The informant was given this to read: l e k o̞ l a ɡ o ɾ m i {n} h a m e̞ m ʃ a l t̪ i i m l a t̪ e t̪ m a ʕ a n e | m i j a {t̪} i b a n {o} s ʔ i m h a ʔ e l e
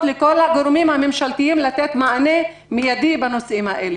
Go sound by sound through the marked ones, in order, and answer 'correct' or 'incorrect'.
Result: incorrect: m, incorrect: d̪, correct

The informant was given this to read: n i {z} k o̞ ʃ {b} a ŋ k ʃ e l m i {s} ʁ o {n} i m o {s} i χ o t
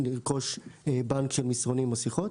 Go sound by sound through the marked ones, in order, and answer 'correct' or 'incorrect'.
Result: incorrect: ʁ, correct, correct, correct, correct

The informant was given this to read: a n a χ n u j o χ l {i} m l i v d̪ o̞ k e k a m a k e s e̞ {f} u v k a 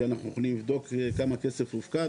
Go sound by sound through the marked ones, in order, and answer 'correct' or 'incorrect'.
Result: correct, correct

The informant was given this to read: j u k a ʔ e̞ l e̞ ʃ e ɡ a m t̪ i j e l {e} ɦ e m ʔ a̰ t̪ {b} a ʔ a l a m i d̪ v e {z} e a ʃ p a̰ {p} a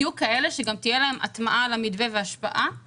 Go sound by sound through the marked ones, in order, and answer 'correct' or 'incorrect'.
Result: incorrect: a, incorrect: m, incorrect: v, incorrect: ʔ

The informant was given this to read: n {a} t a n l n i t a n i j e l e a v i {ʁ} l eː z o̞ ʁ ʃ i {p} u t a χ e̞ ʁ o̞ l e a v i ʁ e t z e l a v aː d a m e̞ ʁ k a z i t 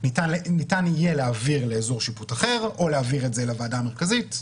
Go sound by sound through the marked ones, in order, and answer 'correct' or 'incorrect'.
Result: incorrect: i, correct, correct

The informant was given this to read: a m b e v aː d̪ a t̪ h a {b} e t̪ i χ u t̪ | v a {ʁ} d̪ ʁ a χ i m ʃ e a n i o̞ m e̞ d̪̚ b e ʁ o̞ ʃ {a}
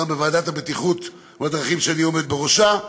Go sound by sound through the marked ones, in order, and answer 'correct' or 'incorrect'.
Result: correct, incorrect: none, correct

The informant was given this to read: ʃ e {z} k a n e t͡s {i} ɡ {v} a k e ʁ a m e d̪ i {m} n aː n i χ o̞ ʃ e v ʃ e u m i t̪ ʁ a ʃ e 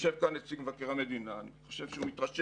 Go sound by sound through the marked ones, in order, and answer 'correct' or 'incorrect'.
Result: incorrect: v, correct, correct, incorrect: none

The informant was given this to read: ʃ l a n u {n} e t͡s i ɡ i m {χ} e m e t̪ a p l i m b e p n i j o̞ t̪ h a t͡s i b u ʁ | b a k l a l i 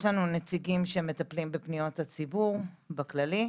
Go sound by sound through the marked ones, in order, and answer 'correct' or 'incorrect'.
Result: correct, incorrect: ʃ

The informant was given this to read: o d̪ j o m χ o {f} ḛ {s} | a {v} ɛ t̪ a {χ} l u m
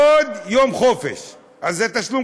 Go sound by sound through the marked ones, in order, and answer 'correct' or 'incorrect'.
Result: correct, incorrect: ʃ, incorrect: z, incorrect: ʃ

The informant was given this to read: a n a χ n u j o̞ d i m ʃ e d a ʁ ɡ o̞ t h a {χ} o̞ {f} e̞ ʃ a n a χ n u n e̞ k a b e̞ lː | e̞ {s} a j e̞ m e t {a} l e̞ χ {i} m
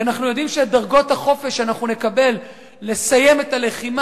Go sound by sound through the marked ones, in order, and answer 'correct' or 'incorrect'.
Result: correct, correct, correct, correct, correct

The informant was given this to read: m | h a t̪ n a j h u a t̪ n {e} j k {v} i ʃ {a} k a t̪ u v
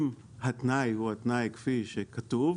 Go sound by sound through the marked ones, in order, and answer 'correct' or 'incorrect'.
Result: incorrect: a, incorrect: f, incorrect: e

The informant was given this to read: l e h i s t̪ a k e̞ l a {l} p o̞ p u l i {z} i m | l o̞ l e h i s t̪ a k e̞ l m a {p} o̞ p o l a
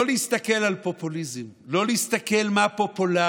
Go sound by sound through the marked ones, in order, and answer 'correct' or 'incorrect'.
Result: correct, correct, correct

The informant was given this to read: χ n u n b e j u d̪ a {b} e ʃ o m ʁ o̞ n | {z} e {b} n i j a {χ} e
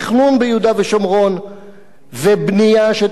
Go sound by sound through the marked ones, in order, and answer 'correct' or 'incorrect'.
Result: incorrect: v, incorrect: v, correct, incorrect: ʃ

